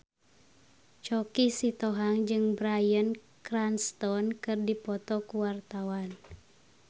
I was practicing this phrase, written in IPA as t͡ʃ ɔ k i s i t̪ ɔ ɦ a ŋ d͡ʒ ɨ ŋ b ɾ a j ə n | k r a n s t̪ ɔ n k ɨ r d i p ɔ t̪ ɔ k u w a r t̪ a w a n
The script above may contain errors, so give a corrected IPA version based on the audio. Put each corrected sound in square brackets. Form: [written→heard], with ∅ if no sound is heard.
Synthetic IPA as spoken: t͡ʃ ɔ k i s i t̪ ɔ ɦ a ŋ d͡ʒ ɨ ŋ b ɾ a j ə n | k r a n s t̪ ɔ n k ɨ r d i p ɔ t̪ ɔ k u w a r t̪ a w a n